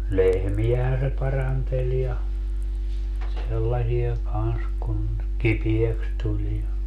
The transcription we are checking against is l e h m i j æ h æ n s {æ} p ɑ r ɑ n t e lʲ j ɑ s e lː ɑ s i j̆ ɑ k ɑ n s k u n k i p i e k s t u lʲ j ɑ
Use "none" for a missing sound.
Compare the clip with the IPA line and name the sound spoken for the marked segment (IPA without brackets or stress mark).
e